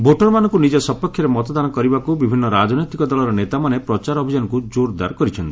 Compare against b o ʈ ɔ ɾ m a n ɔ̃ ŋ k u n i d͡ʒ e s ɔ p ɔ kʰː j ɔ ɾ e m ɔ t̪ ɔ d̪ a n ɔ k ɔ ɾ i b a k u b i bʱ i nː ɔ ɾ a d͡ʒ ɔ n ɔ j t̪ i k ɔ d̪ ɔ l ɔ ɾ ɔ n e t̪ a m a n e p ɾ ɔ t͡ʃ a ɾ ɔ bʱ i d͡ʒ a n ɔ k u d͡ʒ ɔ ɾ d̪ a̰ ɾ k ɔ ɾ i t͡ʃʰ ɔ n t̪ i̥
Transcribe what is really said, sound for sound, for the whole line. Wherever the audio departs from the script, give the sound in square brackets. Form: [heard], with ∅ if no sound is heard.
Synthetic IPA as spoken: b o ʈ ɔ ɾ m a n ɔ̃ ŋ k u n i d͡ʒ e s ɔ p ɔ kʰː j ɔ ɾ e m ɔ t̪ ɔ d̪ a n ɔ k ɔ ɾ i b a k u b i bʱ i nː ɔ ɾ a d͡ʒ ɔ n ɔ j t̪ i k ɔ d̪ ɔ l ɔ ɾ ɔ n e t̪ a m a n e p ɾ ɔ t͡ʃ a ɾ ɔ bʱ i d͡ʒ a n ɔ k u d͡ʒ [o] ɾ d̪ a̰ ɾ k ɔ ɾ i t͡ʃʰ ɔ n t̪ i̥